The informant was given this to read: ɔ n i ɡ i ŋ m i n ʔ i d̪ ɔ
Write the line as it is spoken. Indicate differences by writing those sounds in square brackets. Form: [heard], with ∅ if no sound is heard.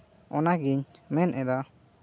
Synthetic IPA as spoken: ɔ n [a] ɡ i [ɲ] m [ɛ] n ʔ [ɛ] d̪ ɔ